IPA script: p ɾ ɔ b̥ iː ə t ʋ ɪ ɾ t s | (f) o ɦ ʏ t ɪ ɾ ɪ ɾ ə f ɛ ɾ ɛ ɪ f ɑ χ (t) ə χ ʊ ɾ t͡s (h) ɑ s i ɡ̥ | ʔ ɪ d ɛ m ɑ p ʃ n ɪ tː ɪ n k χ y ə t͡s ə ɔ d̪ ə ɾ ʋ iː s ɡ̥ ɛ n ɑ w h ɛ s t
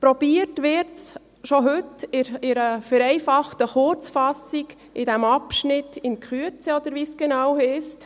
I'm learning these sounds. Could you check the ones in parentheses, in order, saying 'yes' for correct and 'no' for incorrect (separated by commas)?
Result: no, yes, no